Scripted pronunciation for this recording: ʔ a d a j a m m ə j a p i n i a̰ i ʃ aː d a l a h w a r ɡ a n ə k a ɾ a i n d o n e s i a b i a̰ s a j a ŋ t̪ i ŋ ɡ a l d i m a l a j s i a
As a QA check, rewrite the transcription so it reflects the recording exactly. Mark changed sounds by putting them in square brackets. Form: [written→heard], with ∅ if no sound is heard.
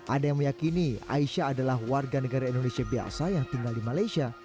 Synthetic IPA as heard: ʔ a d a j a [m→ŋ] m ə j a [p→k] i n i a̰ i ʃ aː d a l a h w a r ɡ a n ə [k→ɡ] a ɾ a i n d o n e s i a b i a̰ s a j a ŋ t̪ i ŋ ɡ a l d i m a l a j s i a

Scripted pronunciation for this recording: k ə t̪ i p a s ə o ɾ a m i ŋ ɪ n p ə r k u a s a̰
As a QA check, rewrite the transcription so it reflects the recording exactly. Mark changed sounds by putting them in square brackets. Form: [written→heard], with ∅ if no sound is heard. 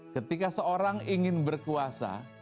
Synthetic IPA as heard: k ə t̪ i [p→k] a s ə o ɾ a [m→ŋ] i ŋ ɪ n [p→b] ə r k u a s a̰

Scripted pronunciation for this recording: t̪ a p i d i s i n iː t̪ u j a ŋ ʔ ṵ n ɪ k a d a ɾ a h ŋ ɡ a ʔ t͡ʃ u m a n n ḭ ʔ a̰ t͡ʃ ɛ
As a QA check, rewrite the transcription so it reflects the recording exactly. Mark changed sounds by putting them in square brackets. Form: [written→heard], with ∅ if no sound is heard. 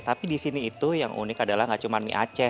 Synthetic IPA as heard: t̪ a p i d i s i n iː t̪ u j a ŋ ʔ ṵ n ɪ k a d a [ɾ→l] a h ŋ ɡ a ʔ t͡ʃ u m a n [n→m] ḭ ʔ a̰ t͡ʃ ɛ

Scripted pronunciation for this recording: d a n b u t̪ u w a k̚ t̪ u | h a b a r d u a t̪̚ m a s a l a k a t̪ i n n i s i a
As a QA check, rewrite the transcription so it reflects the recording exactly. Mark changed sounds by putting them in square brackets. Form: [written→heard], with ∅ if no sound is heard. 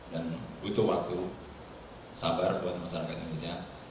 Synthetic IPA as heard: d a n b u t̪ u w a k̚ t̪ u | [h→s] a b a r [d→b] u a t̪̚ m a s a [l→ɾ] a k a t̪ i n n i s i a

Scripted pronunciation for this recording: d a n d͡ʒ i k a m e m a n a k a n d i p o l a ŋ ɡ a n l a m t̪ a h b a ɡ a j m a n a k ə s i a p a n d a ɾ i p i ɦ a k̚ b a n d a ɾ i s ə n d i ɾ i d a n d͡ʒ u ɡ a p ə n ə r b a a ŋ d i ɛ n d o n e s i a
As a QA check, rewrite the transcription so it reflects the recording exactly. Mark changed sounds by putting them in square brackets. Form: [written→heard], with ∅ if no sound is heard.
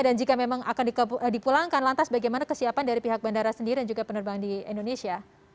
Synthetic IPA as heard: d a n d͡ʒ i k a m e m a [n→ŋ] a k a n d i p [o→u] l a ŋ [ɡ→k] a n l a [m→n] t̪ a [h→s] b a ɡ a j m a n a k ə s i a p a n d a ɾ i p i ɦ a k̚ b a n d a ɾ [i→a] s ə n d i ɾ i d a n d͡ʒ u ɡ a p ə n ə r b a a [ŋ→n] d i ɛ n d o n e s i a

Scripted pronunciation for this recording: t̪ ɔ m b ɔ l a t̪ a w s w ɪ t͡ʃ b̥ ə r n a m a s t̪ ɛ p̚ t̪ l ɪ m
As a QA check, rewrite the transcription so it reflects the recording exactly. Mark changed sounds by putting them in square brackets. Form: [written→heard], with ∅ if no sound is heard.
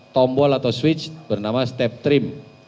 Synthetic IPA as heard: t̪ ɔ m b ɔ l a t̪ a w s w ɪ t͡ʃ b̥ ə r n a m a s t̪ ɛ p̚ t̪ [l→ɾ] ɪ m

